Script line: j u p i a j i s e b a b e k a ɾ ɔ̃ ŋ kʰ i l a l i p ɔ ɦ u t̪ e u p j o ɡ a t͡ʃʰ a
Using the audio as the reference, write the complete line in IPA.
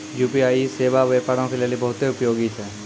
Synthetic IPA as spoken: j u p i a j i s e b a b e p a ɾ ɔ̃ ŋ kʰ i l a l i b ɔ ɦ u t̪ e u p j o ɡ i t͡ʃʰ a